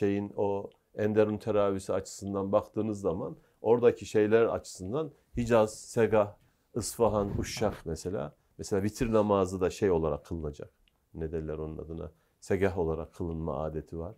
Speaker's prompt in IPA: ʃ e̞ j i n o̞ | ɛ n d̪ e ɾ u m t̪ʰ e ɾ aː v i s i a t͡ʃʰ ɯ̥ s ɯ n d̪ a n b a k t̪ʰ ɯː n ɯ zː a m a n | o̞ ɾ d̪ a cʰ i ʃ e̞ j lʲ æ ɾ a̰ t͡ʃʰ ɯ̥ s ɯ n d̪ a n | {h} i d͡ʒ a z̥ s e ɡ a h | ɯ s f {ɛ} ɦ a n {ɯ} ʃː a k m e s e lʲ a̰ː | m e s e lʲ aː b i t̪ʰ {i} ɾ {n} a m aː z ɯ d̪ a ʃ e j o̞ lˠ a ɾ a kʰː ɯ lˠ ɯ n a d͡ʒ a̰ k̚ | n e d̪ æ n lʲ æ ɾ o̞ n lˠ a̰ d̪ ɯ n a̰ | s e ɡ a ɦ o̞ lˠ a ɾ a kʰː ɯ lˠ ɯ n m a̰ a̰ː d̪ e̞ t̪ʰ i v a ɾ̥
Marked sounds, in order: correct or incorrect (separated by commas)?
correct, incorrect, incorrect, correct, correct